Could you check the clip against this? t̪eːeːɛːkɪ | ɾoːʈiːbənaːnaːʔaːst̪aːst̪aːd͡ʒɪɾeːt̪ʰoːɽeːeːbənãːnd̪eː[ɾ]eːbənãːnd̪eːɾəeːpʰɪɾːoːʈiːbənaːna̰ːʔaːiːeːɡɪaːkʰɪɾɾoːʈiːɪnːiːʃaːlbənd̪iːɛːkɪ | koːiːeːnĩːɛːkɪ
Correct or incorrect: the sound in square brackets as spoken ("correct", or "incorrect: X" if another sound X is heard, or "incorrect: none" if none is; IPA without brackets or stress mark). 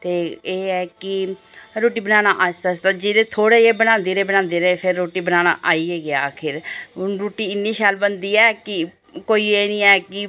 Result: correct